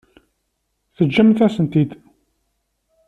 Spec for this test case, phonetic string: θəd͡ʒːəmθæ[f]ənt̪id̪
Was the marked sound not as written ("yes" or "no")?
yes